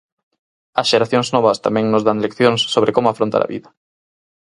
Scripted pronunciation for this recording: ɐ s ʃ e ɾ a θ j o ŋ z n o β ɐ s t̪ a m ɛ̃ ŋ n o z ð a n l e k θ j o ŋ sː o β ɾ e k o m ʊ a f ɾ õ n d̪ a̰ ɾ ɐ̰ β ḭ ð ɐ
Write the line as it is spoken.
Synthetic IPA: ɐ s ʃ e ɾ a θ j o ŋ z n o β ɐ s t̪ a m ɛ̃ ŋ n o z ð a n l e k θ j o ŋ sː o β ɾ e k o m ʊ a f ɾ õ n t̪ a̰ ɾ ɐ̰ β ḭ ð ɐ

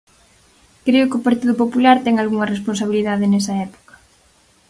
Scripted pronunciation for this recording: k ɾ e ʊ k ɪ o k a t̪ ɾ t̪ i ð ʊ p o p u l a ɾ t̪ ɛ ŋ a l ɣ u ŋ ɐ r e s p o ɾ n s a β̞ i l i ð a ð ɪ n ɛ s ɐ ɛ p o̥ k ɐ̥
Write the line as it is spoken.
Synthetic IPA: k ɾ e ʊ k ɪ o p a ɾ t̪ i ð ʊ p o p u l a ɾ t̪ ɛ ŋ a l ɣ u ŋ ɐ r e s p o n s a β̞ i l i ð a ð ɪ n ɛ s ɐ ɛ p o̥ k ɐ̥

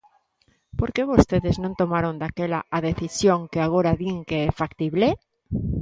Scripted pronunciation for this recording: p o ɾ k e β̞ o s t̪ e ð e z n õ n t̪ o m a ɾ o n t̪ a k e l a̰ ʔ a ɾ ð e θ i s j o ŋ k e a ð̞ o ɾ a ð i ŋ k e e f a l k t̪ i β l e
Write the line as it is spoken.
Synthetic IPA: p o ɾ k e β̞ o s t̪ e ð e z n õ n t̪ o m a ɾ o n d̪ a k e l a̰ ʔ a ð e θ i s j o ŋ k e a ɣ̞ o ɾ a ð i ŋ k e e f a k t̪ i β l e

